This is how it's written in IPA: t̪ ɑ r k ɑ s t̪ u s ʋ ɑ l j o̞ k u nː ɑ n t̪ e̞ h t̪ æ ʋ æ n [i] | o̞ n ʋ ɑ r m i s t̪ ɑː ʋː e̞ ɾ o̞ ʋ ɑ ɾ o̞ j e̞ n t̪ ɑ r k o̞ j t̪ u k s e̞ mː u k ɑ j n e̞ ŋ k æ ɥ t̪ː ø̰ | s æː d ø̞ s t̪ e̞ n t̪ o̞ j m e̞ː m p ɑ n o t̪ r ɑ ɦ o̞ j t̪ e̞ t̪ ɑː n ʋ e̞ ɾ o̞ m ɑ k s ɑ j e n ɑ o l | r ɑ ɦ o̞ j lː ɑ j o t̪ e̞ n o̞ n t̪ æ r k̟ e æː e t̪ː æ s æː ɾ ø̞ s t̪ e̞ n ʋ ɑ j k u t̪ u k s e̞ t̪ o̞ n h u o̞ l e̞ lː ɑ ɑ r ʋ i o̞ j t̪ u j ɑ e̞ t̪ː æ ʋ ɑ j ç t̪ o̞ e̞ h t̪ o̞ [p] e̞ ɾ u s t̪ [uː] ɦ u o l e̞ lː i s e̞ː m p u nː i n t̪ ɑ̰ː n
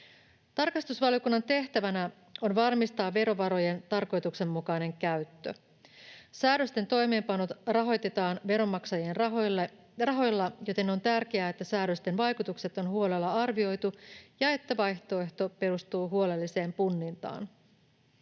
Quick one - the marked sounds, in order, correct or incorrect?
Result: incorrect, correct, correct

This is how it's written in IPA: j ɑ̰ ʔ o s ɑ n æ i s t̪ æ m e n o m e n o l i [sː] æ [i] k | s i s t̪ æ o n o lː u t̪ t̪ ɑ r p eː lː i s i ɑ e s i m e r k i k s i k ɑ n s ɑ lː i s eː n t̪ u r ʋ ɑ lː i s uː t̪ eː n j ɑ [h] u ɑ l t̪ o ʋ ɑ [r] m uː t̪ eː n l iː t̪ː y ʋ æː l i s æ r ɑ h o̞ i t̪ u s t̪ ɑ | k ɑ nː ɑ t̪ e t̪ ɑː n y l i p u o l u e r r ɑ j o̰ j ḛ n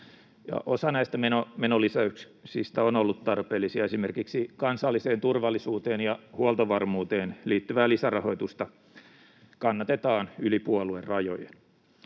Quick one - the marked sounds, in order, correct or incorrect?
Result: incorrect, incorrect, correct, correct

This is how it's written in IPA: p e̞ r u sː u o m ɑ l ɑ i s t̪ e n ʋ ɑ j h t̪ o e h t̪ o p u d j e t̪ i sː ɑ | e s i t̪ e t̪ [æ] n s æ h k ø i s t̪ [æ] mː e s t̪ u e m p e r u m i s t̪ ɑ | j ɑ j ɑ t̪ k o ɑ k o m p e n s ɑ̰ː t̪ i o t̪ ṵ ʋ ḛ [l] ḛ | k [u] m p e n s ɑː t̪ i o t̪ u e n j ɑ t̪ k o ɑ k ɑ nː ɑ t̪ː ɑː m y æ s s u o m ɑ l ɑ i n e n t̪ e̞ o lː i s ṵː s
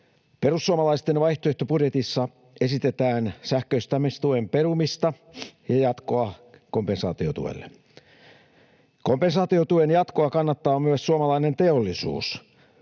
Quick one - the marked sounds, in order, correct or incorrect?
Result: incorrect, correct, incorrect, incorrect

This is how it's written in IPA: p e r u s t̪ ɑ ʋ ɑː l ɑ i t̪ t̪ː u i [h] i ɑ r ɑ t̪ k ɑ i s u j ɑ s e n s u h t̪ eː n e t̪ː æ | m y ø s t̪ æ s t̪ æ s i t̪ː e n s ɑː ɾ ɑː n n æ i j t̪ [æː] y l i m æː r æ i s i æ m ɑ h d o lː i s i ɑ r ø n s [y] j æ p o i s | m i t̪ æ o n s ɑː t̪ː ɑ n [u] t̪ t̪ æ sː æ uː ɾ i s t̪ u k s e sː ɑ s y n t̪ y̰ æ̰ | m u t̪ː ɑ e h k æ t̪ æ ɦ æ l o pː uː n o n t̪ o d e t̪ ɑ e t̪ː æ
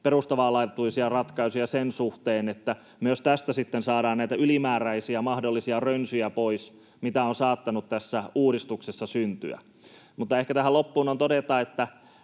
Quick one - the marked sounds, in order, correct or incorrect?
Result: incorrect, incorrect, correct, correct

